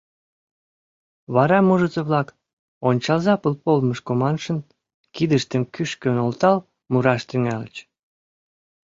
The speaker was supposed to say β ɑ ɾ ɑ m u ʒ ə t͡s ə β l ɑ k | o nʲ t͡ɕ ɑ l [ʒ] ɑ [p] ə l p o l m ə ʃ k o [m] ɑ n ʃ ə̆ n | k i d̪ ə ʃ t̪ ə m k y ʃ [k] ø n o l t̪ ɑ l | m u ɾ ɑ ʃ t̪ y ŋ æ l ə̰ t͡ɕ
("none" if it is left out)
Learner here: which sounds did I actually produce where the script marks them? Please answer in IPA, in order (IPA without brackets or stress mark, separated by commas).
z, p, m, k